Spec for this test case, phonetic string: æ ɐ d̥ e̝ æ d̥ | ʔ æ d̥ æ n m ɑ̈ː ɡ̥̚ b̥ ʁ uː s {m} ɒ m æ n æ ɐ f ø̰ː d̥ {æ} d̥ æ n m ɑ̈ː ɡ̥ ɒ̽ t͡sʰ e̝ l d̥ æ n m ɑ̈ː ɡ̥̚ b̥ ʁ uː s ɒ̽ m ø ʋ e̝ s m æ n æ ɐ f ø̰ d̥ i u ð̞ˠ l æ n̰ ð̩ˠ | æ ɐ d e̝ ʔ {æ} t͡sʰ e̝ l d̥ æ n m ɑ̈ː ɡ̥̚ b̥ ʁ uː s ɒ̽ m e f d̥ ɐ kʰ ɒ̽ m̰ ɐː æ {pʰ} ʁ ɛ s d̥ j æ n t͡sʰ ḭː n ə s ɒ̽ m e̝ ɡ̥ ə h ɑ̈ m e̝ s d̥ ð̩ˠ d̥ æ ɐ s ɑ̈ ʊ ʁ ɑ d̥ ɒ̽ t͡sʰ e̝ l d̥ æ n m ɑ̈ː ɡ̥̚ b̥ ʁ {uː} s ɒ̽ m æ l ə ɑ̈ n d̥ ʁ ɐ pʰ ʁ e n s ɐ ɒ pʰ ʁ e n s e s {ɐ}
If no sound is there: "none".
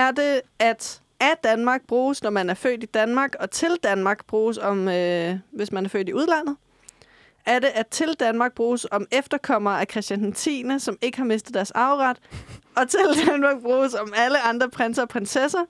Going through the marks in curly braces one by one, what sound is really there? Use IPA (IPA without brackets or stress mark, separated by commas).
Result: n, i, æ, kʰ, uː, ɐ